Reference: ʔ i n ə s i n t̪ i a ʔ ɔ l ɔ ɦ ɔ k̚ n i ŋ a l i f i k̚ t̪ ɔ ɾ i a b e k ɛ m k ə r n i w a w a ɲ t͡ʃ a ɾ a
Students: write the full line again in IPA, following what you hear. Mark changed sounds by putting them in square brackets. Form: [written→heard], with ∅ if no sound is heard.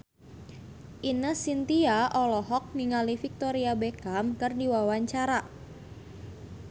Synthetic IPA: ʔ i n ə s i n t̪ i a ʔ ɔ l ɔ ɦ ɔ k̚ n i ŋ a l i f i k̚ t̪ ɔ ɾ i a b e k [ɛ→a] m k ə r [n→d] i w a w a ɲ t͡ʃ a ɾ a